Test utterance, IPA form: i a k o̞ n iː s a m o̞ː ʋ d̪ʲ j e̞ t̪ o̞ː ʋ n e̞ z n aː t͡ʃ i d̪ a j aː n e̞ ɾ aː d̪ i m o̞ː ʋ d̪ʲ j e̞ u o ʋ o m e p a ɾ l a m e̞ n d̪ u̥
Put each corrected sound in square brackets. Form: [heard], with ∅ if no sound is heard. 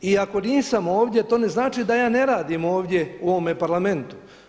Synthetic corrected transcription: i a k o̞ n iː s a m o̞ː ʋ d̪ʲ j e̞ t̪ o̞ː [∅] n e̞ z n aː t͡ʃ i d̪ a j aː n e̞ ɾ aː d̪ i m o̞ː ʋ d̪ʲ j e̞ u o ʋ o m e p a ɾ l a m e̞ n [t̪] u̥